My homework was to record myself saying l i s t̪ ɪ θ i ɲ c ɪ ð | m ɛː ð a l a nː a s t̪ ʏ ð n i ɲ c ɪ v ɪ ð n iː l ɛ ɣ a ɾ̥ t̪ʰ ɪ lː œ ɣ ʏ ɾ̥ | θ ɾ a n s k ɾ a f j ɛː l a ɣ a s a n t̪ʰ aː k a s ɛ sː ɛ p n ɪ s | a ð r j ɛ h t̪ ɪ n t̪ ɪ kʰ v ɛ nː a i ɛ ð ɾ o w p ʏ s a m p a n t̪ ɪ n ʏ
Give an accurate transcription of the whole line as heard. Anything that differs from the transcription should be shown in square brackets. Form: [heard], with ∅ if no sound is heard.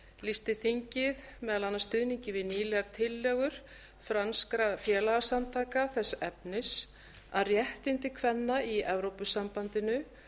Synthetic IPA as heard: l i s t̪ ɪ θ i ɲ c ɪ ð | m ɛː ð a l a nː a s t̪ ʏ ð n i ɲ c ɪ v ɪ ð n iː l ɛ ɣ a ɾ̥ t̪ʰ ɪ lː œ ɣ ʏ ɾ̥ | [f] ɾ a n s k ɾ a f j ɛː l a ɣ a s a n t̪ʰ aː k a [θ] ɛ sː ɛ p n ɪ s | a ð r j ɛ h t̪ ɪ n t̪ ɪ kʰ v ɛ nː a i ɛ [v] ɾ o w p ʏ s a m p a n t̪ ɪ n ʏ